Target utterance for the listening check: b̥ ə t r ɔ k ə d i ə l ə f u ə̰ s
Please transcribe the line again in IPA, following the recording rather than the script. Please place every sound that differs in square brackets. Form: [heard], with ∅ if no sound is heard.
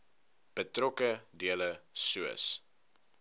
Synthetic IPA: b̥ ə t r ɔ k ə d i ə l ə [s] u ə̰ s